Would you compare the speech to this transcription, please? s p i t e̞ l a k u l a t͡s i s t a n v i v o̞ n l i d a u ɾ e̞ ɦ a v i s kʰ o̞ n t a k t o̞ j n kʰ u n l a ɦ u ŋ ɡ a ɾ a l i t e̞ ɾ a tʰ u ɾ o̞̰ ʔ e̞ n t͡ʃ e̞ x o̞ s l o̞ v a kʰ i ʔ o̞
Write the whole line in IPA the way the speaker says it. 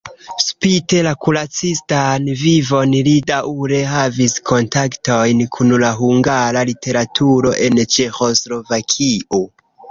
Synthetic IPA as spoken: s p i t e̞ l a k u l a t͡s i s t a n v i v o̞ n l i d a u ɾ e̞ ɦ a v i s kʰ o̞ n t a k t o̞ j n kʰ u n l a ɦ u ŋ ɡ a ɾ a l i t e̞ ɾ a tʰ u ɾ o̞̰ ʔ e̞ n t͡ʃ e̞ x o̞ s l o̞ v a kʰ i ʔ o̞